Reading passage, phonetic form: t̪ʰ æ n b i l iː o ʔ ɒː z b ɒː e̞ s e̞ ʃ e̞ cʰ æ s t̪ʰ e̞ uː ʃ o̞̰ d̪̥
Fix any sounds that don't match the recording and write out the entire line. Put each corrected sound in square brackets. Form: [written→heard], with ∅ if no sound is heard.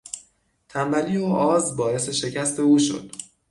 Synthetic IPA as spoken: t̪ʰ æ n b [i→æ] l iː o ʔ ɒː z b ɒː e̞ s e̞ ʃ e̞ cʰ æ s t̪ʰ e̞ uː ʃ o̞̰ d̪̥